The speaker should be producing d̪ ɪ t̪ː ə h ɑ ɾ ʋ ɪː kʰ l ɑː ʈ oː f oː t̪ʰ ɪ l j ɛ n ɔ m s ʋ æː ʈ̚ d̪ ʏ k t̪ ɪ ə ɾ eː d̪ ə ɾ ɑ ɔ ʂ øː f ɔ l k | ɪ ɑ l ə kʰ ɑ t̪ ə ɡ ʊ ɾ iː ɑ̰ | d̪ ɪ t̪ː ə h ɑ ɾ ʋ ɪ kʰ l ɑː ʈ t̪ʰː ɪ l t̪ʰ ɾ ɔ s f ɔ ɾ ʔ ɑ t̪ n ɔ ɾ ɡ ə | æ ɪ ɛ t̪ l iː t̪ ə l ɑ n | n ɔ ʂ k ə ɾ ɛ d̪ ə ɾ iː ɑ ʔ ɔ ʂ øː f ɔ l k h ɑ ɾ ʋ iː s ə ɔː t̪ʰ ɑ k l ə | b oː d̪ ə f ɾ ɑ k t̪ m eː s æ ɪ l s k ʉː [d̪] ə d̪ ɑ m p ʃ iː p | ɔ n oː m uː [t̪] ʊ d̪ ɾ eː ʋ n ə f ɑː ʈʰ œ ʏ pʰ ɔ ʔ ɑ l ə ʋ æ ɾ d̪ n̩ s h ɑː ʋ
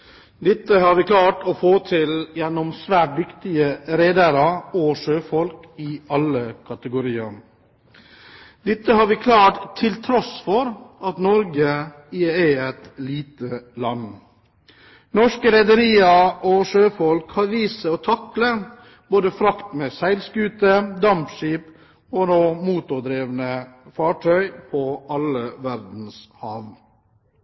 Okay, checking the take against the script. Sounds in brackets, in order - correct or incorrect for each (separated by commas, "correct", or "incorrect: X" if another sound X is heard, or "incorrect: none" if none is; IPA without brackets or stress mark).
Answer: incorrect: t̪, correct